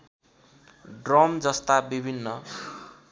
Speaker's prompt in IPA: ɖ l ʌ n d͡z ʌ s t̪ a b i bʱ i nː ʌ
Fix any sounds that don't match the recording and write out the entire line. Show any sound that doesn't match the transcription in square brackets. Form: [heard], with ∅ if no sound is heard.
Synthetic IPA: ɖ [r] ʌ [m] d͡z ʌ s t̪ a b i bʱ i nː ʌ